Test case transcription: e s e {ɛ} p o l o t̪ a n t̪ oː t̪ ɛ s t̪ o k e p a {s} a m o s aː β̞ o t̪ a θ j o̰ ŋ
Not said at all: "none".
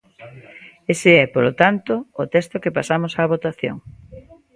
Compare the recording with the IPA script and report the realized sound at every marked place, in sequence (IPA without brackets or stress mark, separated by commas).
ɛ, s